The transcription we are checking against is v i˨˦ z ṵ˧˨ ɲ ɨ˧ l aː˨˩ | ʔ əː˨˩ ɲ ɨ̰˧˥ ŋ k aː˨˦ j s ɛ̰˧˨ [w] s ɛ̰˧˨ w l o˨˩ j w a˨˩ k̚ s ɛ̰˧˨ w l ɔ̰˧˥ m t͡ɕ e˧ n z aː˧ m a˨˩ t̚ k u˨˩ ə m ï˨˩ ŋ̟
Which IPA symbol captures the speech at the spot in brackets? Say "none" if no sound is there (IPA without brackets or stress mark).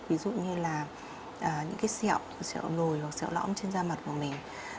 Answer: w